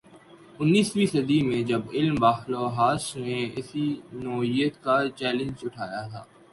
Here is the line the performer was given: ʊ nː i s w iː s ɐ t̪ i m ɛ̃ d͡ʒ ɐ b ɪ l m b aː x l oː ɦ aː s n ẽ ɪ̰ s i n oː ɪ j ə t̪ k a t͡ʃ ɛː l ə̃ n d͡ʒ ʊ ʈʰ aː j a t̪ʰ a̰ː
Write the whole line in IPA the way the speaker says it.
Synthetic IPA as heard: ʊ nː iː s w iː s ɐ d̪ i m ẽ d͡ʒ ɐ b ɪ l m b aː x l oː ɦ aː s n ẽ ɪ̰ s i n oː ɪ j ə t̪ k a t͡ʃ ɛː l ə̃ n d͡ʒ ʊ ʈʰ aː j a t̪ʰ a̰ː